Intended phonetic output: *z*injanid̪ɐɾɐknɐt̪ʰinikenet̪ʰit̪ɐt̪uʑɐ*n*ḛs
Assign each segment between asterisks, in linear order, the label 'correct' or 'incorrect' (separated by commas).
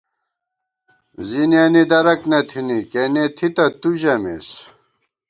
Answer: correct, incorrect